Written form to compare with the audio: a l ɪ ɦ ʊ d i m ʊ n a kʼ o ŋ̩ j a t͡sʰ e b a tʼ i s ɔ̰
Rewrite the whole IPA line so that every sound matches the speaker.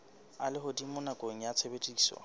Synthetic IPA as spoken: a l ɪ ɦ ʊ d i m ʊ n a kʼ o ŋ̩ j a t͡sʰ e b e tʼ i s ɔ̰